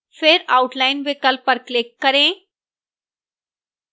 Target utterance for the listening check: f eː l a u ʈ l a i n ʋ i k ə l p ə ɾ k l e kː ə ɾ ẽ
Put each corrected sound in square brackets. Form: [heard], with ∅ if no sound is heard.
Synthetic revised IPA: f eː [ɾ] a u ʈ l a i n ʋ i k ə l p ə ɾ k l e kː ə ɾ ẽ